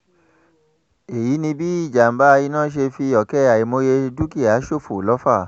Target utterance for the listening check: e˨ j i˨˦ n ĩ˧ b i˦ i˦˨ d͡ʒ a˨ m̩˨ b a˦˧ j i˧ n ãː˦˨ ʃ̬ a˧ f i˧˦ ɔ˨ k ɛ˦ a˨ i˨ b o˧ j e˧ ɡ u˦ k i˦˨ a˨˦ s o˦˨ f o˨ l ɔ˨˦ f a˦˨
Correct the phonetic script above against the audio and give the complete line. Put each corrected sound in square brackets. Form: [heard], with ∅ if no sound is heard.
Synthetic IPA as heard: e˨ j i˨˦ n ĩ˧ b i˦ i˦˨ d͡ʒ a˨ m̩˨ b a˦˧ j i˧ n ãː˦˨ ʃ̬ [e˧] f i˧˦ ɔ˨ k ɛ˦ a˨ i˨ [m] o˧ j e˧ [d] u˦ k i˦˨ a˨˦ [ʃ] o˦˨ f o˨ l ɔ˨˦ f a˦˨